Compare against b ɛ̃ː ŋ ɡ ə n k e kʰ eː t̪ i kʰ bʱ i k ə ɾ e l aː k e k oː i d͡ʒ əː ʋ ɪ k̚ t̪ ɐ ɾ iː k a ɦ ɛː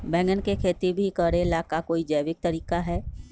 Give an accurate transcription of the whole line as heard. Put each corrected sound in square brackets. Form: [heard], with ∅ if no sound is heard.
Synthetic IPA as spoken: b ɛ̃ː ŋ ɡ ə n k e kʰ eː t̪ i [∅] bʱ i k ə ɾ e l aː k [a] k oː i d͡ʒ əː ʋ ɪ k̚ t̪ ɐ ɾ iː k a ɦ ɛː